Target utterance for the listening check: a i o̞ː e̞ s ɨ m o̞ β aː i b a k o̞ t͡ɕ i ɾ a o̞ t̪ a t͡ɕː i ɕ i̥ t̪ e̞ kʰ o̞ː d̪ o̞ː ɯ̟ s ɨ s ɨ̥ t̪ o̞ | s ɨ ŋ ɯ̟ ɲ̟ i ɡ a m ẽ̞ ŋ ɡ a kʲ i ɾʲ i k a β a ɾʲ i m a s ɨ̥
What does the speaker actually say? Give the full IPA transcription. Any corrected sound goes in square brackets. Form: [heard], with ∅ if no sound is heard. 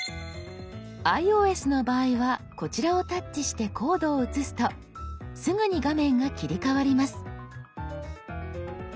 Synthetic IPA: a i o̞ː e̞ s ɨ [n] o̞ [b] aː i [β] a k o̞ t͡ɕ i ɾ a o̞ t̪ a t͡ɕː i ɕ i̥ t̪ e̞ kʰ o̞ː d̪ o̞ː ɯ̟ [t͡s] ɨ s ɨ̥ t̪ o̞ | s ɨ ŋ ɯ̟ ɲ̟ i ɡ a m ẽ̞ ŋ ɡ a kʲ i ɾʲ i k a β a ɾʲ i m a s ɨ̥